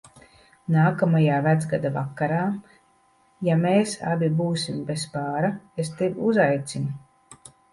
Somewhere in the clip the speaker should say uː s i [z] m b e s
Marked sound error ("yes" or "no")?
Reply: yes